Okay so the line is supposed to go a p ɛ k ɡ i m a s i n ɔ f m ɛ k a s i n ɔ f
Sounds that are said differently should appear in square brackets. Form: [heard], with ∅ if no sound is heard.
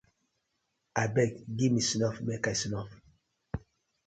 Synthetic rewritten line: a [b] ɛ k ɡ i m [i] s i n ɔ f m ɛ k a s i n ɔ f